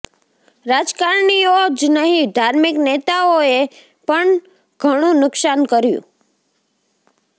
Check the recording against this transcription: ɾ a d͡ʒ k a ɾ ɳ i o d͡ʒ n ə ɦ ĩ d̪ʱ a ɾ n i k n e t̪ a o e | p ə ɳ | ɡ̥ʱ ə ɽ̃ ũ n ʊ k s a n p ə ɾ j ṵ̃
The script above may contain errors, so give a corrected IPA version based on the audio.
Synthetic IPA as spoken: ɾ a d͡ʒ k a ɾ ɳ i o d͡ʒ n ə ɦ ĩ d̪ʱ a ɾ m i k n e t̪ a o e | p ə ɳ | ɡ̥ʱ ə ɽ̃ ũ n ʊ k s a n k ə ɾ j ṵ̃